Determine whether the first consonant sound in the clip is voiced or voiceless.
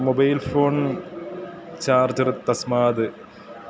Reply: voiced